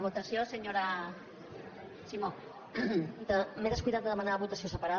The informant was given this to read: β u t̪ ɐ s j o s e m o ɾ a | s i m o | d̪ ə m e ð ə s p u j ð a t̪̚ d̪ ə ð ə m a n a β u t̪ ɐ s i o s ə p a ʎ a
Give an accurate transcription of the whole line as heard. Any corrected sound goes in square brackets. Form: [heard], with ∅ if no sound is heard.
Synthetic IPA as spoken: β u t̪ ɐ s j o s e [ɲ] o ɾ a | s i m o | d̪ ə m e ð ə s [k] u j ð a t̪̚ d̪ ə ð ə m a n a β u t̪ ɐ s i o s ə p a [ɾ] a